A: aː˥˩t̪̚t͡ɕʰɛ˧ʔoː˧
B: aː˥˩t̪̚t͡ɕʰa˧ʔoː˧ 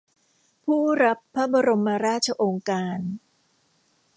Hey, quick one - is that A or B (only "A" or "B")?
B